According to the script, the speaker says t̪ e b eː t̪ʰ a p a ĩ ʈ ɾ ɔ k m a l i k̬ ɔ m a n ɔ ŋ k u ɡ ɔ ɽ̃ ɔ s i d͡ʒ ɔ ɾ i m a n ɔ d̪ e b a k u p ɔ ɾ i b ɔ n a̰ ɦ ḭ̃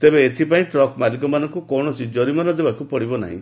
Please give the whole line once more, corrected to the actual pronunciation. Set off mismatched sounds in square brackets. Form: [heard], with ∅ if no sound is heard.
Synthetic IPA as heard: t̪ e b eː t̪ʰ [i] p a ĩ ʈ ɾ ɔ k m a l i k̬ ɔ m a n ɔ ŋ k u [k] ɔ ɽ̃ ɔ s i d͡ʒ ɔ ɾ i m a n ɔ d̪ e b a k u p ɔ [ɽ] i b ɔ n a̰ ɦ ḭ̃

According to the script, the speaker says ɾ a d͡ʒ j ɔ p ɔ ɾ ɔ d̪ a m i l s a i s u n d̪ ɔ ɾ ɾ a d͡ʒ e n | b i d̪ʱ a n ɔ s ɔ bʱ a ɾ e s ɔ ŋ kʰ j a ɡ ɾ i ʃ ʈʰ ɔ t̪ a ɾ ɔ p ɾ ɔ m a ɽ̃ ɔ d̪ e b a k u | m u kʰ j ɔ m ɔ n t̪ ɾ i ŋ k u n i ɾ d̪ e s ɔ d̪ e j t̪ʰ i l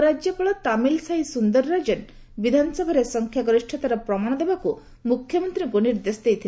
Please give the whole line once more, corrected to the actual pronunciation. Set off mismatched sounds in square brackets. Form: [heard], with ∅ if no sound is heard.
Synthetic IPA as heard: ɾ a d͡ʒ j ɔ p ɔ [ɭ] ɔ [t̪] a m i l s a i s u n d̪ ɔ ɾ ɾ a d͡ʒ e n | b i d̪ʱ a n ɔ s ɔ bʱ a ɾ e s ɔ ŋ kʰ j a ɡ ɾ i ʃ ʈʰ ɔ t̪ a ɾ ɔ p ɾ ɔ m a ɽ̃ ɔ d̪ e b a k u | m u kʰ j ɔ m ɔ n t̪ ɾ i ŋ k u n i ɾ d̪ e s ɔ d̪ e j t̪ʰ i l

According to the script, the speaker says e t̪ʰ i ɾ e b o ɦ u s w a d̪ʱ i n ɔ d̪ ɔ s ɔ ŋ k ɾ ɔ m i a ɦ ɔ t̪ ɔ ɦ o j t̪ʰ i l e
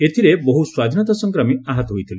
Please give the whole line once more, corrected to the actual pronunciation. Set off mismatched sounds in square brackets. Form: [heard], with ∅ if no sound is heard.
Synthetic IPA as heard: e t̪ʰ i ɾ e b o ɦ u s w a d̪ʱ i n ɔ [t̪] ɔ s ɔ ŋ k ɾ ɔ m i a ɦ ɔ t̪ ɔ ɦ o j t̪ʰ i l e

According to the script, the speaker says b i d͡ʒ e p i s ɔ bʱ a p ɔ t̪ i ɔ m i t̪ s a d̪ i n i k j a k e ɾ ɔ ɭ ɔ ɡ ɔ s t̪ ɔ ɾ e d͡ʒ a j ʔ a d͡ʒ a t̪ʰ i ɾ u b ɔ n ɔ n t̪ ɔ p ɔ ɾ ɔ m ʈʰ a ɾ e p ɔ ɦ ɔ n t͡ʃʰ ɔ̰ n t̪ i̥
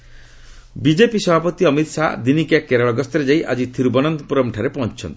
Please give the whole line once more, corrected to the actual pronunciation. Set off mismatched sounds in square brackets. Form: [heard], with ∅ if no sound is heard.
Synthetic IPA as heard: b i d͡ʒ e p i s ɔ bʱ a p ɔ t̪ i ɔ m i t̪ s a d̪ i n i k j a k e ɾ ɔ ɭ ɔ ɡ ɔ s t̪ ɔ ɾ e d͡ʒ a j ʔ a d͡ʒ [i] t̪ʰ i ɾ u b ɔ n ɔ n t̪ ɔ p [u] ɾ ɔ m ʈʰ a ɾ e p ɔ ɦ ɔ n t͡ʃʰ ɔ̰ n t̪ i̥

